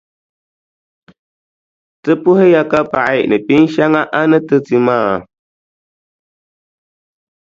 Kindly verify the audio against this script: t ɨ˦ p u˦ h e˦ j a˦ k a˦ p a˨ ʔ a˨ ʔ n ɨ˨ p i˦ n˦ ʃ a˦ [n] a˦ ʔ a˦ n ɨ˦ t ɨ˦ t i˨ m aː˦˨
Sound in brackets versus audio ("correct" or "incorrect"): incorrect